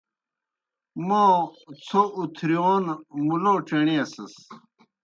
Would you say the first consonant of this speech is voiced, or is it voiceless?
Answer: voiced